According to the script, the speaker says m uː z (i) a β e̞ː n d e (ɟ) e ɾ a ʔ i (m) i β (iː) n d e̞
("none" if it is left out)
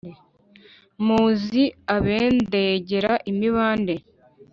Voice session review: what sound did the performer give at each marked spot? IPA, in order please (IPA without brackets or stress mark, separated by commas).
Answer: i, ɟ, m, aː